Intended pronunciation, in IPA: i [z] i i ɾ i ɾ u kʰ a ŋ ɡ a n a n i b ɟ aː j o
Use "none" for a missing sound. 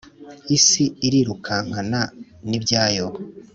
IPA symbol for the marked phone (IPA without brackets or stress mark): s